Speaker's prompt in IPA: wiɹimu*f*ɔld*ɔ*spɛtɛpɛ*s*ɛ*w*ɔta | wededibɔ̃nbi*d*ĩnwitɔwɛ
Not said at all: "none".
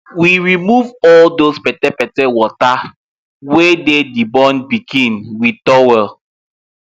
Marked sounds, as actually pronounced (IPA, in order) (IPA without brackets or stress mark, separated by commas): v, o, t, w, ɡ